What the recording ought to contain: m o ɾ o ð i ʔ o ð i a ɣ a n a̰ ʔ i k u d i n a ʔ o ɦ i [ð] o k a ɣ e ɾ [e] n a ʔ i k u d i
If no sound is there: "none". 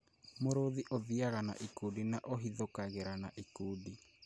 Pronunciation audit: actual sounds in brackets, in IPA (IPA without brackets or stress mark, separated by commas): ð, a